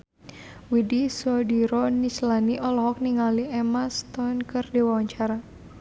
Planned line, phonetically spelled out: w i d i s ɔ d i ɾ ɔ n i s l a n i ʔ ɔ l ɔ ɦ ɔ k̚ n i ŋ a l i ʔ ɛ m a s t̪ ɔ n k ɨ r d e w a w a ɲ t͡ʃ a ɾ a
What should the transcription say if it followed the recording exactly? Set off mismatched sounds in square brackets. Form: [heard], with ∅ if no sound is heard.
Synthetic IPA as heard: w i d i s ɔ d i ɾ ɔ n i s l a n i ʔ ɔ l ɔ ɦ ɔ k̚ n i ŋ a l i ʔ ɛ m a s t̪ ɔ n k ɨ r d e w a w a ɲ t͡ʃ a ɾ a